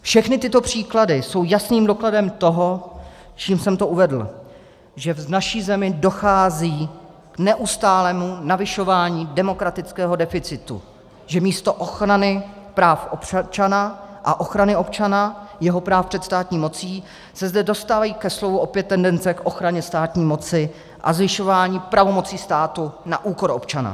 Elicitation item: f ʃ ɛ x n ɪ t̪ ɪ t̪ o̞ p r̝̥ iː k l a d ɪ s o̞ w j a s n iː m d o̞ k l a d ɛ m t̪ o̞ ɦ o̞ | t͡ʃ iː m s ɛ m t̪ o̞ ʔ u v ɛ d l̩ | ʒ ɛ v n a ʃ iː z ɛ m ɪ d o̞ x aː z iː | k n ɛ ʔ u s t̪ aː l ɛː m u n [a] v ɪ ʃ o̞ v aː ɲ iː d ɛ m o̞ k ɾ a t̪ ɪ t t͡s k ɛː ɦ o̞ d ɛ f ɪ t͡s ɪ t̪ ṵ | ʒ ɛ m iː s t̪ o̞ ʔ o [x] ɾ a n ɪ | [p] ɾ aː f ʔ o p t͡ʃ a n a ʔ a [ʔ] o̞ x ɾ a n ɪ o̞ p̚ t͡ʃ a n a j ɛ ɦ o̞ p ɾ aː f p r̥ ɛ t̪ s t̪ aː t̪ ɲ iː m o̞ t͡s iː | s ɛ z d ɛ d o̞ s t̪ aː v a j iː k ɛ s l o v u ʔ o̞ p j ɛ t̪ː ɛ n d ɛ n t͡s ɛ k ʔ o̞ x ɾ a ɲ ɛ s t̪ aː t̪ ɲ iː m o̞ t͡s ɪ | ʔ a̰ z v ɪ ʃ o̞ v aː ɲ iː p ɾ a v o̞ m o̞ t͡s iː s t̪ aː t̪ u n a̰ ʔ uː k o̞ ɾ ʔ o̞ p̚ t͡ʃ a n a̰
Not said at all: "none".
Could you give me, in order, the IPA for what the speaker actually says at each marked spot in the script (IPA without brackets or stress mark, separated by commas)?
a, x, p, ʔ